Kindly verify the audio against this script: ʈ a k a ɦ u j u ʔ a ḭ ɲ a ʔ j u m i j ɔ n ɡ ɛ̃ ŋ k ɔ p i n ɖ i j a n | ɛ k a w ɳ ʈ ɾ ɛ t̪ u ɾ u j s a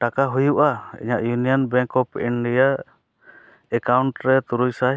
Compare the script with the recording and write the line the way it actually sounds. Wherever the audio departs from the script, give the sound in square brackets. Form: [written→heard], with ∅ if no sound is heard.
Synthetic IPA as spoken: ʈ a k a ɦ u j u ʔ a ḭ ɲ a ʔ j u [m→n] i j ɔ n [ɡ→b] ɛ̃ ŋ k ɔ p i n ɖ i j a [n→∅] | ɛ k a w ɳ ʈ ɾ ɛ t̪ u ɾ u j s a